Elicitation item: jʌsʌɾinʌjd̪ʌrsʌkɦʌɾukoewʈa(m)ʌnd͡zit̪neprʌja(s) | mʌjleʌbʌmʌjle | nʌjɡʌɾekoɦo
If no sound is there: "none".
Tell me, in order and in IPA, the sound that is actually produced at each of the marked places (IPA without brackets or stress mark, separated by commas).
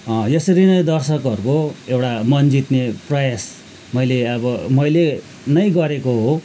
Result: m, s